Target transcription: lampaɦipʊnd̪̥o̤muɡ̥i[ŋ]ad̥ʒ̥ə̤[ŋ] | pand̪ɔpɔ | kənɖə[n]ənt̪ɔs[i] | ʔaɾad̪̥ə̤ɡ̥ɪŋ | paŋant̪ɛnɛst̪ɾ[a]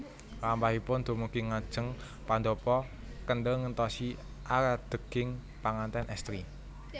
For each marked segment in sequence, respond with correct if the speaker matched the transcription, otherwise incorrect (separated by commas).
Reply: correct, correct, incorrect, correct, incorrect